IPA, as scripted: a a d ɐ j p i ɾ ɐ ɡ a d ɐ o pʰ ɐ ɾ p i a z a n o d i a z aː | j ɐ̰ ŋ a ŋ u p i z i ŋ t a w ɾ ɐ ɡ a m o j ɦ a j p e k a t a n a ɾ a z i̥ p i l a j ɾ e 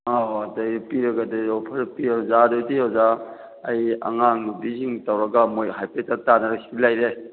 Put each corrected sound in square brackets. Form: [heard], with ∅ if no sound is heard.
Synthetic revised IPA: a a d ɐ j p i ɾ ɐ ɡ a d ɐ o pʰ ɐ ɾ p i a z a [d] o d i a z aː | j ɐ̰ ŋ a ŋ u [b] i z i ŋ t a w ɾ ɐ ɡ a m o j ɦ a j p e [t] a t a n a ɾ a [s] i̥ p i l a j ɾ e

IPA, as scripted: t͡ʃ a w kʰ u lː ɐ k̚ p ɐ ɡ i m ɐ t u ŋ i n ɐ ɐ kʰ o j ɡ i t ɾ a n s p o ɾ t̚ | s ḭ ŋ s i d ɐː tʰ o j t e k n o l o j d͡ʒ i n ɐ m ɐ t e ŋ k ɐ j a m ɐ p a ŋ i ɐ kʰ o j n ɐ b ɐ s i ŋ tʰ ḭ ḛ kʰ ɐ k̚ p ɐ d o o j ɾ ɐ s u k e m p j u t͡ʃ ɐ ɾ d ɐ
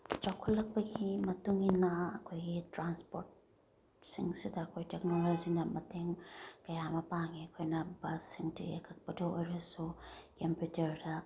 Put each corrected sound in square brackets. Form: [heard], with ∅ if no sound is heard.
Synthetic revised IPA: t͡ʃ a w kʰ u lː ɐ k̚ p ɐ ɡ i m ɐ t u ŋ i n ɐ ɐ kʰ o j ɡ i t ɾ a n s p o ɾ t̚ | s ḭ ŋ s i d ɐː [kʰ] o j t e k n o l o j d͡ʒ i n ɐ m ɐ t e ŋ k ɐ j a m ɐ p a ŋ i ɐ kʰ o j n ɐ b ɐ s i ŋ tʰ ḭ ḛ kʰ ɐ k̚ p ɐ d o o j ɾ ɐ s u k e m p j u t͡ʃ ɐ ɾ d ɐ

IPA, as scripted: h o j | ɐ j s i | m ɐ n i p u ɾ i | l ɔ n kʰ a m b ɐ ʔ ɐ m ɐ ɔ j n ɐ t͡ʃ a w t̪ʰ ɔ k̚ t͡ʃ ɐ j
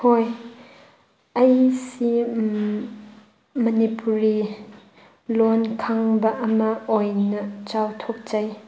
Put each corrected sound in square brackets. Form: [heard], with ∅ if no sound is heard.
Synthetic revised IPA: h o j | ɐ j s i | m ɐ n i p u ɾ i | l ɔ n kʰ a [ŋ] b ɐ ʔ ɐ m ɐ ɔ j n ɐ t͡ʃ a w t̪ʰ ɔ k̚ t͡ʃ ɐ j

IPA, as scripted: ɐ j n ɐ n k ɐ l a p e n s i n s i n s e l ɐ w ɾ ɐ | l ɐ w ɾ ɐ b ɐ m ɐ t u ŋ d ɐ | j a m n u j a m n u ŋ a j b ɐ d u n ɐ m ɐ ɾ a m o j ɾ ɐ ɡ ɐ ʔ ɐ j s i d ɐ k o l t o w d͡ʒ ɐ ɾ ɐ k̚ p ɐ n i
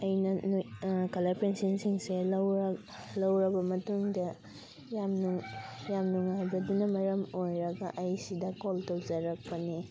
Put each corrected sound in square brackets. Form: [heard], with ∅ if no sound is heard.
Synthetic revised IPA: ɐ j n ɐ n k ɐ l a p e n s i n s i [ŋ] s e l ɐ w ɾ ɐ | l ɐ w ɾ ɐ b ɐ m ɐ t u ŋ d ɐ | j a m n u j a m n u ŋ a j b ɐ d u n ɐ m ɐ ɾ [ɐ] m o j ɾ ɐ ɡ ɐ ʔ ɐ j s i d ɐ k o l t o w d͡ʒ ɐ ɾ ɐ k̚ p ɐ n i

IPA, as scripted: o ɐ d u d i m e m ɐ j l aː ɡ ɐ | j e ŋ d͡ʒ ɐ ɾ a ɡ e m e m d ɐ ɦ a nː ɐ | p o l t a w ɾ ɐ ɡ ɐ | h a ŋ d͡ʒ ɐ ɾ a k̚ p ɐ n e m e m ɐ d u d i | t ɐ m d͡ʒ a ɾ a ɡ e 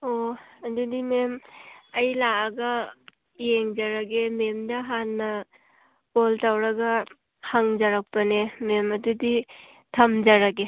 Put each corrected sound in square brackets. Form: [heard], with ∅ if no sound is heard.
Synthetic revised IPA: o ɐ d u d i m e m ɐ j l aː ɡ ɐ | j e ŋ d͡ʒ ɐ ɾ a ɡ e m e m d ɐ ɦ a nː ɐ | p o l t a w ɾ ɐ ɡ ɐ | h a ŋ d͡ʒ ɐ ɾ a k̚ p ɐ n e m e m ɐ d u d i | [tʰ] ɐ m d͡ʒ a ɾ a ɡ e

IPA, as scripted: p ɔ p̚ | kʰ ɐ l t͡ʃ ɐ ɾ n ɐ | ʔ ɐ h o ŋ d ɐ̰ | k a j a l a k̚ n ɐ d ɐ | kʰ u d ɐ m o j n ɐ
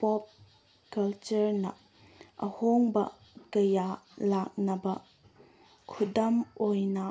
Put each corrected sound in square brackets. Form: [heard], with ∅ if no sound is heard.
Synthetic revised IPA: p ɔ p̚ | [k] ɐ l t͡ʃ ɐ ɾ n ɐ | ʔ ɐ h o ŋ [b] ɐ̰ | k [ɐ] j a l a k̚ n ɐ [b] ɐ | kʰ u d ɐ m o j n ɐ

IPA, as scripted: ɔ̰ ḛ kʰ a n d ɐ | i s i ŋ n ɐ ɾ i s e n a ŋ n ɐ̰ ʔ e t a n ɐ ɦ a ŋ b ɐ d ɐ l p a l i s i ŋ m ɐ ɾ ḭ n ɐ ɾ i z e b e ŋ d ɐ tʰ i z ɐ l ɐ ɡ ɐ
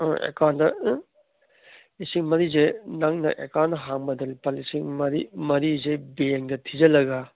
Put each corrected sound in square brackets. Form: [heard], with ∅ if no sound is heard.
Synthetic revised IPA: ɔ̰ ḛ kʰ a n d ɐ | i s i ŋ [m] ɐ ɾ i [z] e n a ŋ n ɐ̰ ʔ e [k] a n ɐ ɦ a ŋ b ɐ d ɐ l p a l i s i ŋ m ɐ ɾ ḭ [m] ɐ ɾ i z e b e ŋ d ɐ tʰ i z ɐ l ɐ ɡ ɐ

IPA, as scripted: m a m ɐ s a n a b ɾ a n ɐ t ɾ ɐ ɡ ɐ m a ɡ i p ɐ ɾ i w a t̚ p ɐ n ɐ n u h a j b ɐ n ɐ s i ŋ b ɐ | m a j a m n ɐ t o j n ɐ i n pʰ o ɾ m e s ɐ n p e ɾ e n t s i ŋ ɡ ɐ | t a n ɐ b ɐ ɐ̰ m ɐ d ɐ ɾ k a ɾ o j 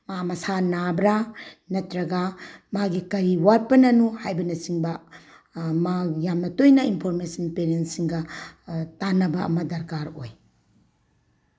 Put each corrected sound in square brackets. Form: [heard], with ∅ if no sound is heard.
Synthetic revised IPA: m a m ɐ s a n a b ɾ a n ɐ t ɾ ɐ ɡ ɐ m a ɡ i [k] ɐ ɾ i w a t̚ p ɐ n ɐ n u h a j b ɐ n ɐ s i ŋ b ɐ | m a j a m n ɐ t o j n ɐ i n pʰ o ɾ m e s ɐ n p e ɾ e n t s i ŋ ɡ ɐ | t a n ɐ b ɐ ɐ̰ m ɐ d ɐ ɾ k a ɾ o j

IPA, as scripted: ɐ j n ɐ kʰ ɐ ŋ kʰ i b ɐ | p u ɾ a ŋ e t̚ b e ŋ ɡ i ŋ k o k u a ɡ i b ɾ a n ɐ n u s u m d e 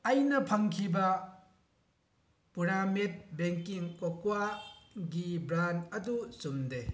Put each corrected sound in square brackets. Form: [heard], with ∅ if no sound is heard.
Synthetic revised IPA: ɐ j n ɐ [pʰ] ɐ ŋ kʰ i b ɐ | p u ɾ a [m] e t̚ b e ŋ [k] i ŋ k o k [w] a ɡ i b ɾ a n ɐ [d] u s u m d e

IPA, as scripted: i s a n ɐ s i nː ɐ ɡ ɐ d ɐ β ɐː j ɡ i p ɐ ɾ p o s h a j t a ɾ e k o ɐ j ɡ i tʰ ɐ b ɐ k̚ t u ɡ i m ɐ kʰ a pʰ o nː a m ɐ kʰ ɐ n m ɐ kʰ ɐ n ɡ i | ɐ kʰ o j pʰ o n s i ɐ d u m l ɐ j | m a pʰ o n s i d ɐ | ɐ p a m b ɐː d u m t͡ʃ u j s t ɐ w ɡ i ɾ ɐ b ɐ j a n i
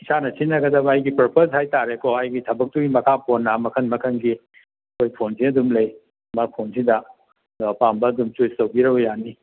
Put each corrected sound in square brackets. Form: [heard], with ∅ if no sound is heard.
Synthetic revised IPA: i s a n ɐ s i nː ɐ ɡ ɐ d ɐ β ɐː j ɡ i p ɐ ɾ p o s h a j t a ɾ e k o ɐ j ɡ i tʰ ɐ b ɐ k̚ t u ɡ i m ɐ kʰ a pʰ o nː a m ɐ kʰ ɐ n m ɐ kʰ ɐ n ɡ i | ɐ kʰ o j pʰ o n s i ɐ d u m l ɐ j | m a pʰ o n s i d ɐ | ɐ p a m b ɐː d u m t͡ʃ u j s t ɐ w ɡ i ɾ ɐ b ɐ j a n i

